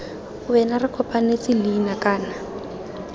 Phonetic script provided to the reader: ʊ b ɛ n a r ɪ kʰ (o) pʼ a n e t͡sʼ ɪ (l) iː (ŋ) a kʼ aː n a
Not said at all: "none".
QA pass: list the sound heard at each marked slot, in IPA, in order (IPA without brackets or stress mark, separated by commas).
ɔ, l, n